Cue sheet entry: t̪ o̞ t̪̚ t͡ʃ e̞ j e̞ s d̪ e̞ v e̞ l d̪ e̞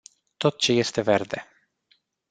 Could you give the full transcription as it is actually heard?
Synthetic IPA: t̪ o̞ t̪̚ t͡ʃ e̞ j e̞ s t̪ e̞ v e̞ r d̪ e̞